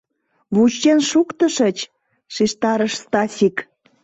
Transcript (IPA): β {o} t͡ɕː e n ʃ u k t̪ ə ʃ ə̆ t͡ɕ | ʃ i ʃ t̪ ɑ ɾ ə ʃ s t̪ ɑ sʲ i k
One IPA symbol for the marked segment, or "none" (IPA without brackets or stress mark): u